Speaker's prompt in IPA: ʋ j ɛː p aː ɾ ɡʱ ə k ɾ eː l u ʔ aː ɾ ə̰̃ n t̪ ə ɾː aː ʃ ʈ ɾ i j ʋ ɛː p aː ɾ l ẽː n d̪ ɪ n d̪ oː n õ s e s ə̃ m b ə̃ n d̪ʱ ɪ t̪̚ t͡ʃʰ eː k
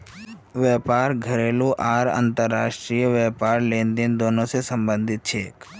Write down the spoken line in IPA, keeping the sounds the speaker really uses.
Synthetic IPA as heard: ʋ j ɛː p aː ɾ ɡʱ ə ɾ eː l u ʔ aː ɾ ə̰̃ n t̪ ə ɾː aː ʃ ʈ ɾ i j ʋ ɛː p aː ɾ l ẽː n d̪ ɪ n d̪ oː n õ s e s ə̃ m b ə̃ n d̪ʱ ɪ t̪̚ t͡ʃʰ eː k